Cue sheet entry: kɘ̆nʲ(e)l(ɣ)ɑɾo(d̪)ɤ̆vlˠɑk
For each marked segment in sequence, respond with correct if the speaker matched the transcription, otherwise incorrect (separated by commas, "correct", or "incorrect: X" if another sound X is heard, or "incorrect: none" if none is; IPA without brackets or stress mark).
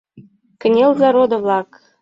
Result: correct, incorrect: z, correct